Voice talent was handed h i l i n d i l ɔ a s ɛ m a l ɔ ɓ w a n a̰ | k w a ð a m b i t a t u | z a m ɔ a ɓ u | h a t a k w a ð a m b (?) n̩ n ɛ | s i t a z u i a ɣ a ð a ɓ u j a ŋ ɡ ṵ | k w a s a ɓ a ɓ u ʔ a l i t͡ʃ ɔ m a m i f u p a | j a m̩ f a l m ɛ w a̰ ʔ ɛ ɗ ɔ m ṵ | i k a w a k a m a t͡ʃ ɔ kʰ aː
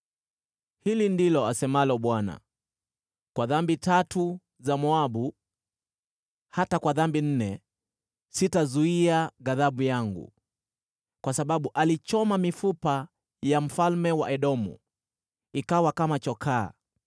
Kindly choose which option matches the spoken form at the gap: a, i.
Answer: i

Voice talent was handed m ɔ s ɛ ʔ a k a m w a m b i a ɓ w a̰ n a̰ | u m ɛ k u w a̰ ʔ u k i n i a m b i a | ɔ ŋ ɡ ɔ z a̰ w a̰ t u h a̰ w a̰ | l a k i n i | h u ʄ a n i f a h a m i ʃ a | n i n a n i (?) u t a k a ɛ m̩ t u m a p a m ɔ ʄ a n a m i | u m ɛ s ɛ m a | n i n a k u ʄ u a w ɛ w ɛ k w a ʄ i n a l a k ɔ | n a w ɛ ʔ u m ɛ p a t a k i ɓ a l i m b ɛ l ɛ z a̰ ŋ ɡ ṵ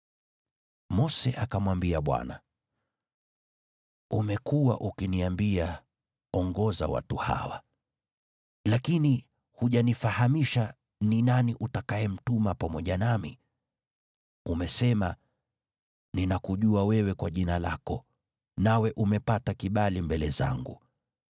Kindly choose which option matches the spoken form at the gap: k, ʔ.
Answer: ʔ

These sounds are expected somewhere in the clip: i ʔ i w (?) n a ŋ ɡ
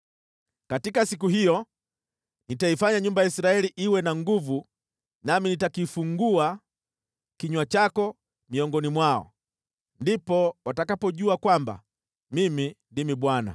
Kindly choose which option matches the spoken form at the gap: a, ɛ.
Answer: ɛ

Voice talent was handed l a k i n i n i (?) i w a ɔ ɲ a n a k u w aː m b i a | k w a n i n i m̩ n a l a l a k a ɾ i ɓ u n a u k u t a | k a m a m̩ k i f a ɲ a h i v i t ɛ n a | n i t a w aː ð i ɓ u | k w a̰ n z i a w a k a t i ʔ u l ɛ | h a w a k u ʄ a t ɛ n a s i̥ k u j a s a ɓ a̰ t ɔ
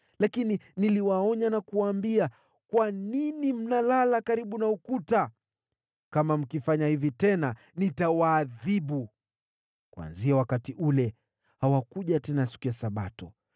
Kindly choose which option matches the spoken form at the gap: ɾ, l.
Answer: l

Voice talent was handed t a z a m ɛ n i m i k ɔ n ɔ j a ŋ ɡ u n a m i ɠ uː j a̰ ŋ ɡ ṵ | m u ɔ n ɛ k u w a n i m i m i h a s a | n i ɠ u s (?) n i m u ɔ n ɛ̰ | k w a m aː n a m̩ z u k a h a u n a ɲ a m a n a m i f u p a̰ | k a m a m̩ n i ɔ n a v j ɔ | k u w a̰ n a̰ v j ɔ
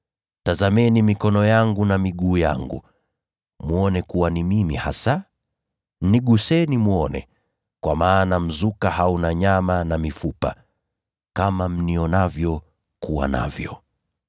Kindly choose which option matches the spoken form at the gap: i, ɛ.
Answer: ɛ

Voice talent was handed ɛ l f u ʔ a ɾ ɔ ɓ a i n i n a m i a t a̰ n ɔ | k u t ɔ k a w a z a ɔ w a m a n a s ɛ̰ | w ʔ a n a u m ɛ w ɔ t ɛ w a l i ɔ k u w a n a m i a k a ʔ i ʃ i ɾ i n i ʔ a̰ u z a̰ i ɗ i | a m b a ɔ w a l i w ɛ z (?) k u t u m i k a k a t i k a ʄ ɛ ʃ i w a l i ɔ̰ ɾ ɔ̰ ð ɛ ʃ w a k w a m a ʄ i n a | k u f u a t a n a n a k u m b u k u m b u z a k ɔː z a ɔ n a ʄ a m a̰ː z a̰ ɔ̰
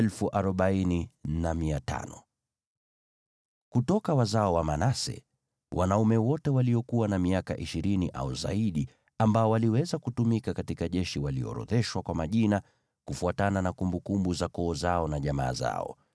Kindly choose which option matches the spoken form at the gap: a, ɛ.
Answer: a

